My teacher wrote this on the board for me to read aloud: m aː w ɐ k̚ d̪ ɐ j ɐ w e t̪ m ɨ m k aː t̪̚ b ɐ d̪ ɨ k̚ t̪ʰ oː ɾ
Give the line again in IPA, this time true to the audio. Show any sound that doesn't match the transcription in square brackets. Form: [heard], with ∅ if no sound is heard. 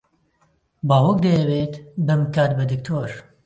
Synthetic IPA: [b] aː w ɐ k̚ d̪ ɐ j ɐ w e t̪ [b] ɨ m k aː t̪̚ b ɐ d̪ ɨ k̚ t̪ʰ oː ɾ